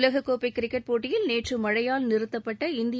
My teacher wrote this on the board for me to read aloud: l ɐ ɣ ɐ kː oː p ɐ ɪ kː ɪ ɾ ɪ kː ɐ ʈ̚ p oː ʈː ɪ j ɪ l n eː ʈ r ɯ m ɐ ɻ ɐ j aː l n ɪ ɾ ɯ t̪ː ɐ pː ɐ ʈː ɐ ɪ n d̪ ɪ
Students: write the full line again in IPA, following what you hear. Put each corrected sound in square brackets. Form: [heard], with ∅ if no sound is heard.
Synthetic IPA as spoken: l ɐ ɣ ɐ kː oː p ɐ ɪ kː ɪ ɾ ɪ kː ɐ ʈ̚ p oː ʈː ɪ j ɪ l n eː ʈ r ɯ m ɐ ɻ ɐ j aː l n ɪ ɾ ɯ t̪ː ɐ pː ɐ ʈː ɐ ɪ n d̪ ɪ